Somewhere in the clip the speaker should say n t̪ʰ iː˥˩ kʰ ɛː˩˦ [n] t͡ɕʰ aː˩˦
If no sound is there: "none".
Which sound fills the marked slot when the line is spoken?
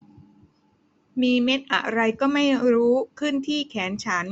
n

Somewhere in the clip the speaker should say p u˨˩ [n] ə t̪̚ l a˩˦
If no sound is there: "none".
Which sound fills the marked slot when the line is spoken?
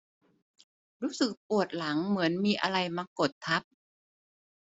none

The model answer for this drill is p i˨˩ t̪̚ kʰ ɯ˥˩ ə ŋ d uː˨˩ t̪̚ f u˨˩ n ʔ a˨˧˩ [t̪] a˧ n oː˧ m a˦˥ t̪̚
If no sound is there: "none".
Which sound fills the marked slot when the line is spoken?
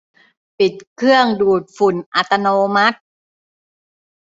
t̪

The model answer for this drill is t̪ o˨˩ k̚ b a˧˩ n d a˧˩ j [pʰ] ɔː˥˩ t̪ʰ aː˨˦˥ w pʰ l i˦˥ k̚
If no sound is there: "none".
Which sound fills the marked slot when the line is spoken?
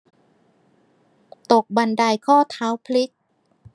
kʰ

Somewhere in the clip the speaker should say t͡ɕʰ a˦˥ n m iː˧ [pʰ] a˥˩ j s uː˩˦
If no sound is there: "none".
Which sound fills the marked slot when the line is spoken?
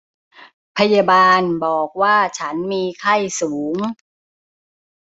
kʰ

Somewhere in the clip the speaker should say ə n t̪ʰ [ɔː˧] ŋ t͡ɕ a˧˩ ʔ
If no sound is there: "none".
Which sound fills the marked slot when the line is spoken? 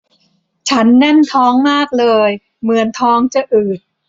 ɔː˦˥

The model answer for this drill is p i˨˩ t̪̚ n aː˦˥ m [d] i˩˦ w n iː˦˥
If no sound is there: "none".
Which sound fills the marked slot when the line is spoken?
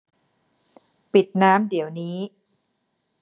d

